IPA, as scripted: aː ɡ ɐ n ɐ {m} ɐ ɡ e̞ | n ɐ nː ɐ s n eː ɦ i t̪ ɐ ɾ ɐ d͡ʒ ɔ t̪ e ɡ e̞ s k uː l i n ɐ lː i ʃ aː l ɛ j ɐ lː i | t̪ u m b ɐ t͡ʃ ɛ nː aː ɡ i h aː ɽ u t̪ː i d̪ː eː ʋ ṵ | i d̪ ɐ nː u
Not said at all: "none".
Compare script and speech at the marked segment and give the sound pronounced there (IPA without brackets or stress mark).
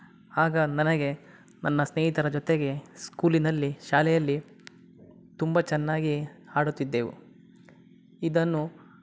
n